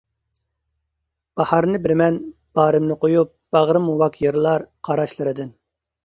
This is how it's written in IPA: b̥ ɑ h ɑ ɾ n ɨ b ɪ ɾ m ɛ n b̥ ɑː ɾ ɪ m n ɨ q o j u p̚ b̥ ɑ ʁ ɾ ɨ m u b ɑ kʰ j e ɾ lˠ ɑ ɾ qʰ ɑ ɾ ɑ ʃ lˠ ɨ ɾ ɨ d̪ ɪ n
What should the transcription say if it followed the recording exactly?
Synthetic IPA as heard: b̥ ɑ h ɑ ɾ n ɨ b ɪ ɾ m ɛ n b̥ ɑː ɾ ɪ m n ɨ q o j u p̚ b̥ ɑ ʁ ɾ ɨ m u w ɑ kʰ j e ɾ lˠ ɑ ɾ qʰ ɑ ɾ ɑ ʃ lˠ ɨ ɾ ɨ d̪ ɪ n